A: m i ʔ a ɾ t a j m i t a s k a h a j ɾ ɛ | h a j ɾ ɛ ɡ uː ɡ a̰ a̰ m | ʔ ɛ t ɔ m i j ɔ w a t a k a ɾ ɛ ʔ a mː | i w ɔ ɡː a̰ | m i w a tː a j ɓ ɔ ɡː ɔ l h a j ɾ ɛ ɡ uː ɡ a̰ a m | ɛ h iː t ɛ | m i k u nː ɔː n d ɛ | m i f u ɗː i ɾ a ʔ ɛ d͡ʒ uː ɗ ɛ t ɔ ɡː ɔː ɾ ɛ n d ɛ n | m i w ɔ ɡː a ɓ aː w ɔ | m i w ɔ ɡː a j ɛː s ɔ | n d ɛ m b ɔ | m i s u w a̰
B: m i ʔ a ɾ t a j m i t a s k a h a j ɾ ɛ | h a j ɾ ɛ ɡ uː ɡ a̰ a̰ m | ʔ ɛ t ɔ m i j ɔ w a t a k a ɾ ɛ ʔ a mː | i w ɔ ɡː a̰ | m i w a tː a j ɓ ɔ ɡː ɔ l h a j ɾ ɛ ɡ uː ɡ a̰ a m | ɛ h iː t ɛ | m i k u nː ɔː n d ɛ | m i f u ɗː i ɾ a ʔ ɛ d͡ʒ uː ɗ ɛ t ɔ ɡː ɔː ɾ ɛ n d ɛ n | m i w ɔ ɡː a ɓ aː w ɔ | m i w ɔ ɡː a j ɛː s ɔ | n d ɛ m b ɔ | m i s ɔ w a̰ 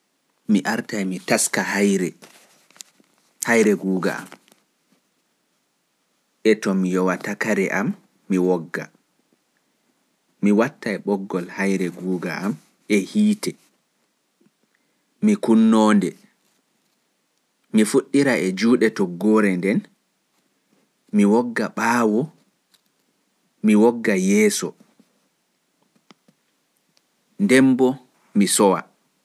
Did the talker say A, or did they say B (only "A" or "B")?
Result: B